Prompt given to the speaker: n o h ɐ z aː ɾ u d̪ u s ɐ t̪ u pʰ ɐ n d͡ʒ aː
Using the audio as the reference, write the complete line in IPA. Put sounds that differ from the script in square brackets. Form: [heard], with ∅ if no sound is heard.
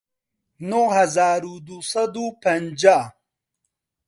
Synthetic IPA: n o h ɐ z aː ɾ u d̪ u s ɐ [d̪] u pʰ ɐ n d͡ʒ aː

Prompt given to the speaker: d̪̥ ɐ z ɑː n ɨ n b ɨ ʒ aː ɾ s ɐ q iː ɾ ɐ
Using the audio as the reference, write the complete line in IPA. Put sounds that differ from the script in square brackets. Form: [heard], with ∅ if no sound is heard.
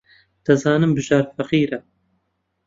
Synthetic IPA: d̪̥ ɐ z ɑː n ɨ [m] b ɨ ʒ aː ɾ [f] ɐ q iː ɾ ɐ

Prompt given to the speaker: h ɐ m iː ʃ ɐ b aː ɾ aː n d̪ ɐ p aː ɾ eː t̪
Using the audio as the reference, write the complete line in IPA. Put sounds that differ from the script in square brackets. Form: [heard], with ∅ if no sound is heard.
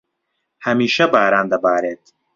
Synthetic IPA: h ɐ m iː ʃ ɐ b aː ɾ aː n d̪ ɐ [b] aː ɾ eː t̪

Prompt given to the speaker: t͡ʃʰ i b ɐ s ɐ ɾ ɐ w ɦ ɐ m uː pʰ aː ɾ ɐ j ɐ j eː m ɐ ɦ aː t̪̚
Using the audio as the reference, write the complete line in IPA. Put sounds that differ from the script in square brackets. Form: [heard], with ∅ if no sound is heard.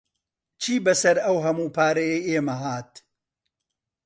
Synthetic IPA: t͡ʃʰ [iː] b ɐ s ɐ ɾ ɐ w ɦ ɐ m uː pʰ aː ɾ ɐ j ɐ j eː m ɐ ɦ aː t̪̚

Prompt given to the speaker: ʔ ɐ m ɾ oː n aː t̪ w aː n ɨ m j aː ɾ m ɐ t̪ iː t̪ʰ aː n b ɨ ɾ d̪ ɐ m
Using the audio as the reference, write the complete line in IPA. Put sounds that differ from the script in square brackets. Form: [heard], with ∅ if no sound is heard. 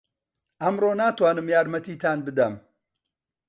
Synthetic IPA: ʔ ɐ m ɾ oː n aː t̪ w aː n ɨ m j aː ɾ m ɐ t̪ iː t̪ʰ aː n b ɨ [∅] d̪ ɐ m

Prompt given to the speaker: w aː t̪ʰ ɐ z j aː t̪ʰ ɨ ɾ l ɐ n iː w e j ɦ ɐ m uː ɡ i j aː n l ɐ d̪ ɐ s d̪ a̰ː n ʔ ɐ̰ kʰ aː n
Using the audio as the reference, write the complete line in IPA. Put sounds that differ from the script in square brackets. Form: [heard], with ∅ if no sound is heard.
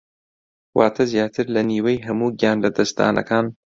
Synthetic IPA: w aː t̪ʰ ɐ z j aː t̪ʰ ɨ ɾ l ɐ n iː w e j ɦ ɐ m uː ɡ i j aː n l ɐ d̪ ɐ s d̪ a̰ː n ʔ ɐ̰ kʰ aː n

